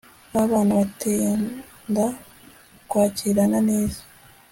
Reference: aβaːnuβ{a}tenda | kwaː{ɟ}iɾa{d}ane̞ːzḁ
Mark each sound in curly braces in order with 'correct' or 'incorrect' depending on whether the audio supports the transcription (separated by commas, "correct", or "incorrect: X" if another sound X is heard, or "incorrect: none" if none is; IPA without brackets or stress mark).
correct, incorrect: c, incorrect: n